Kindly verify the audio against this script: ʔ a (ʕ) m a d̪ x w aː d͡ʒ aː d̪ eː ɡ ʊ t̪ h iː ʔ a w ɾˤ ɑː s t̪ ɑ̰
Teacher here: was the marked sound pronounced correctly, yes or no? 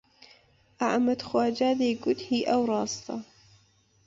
yes